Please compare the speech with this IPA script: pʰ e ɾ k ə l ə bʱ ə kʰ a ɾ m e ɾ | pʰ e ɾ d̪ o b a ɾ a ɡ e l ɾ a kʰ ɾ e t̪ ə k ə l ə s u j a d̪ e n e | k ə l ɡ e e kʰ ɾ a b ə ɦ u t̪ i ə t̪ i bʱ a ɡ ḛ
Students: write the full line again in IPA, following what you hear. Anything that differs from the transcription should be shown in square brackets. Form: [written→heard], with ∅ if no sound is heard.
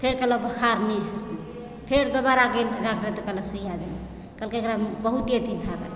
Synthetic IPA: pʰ e ɾ k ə l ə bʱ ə kʰ a ɾ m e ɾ | pʰ e ɾ d̪ o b a ɾ a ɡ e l ɾ a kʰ ɾ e t̪ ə k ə l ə s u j a d̪ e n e | k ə l [ɡ→k] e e [kʰ→k] ɾ a b ə ɦ u t̪ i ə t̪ i bʱ a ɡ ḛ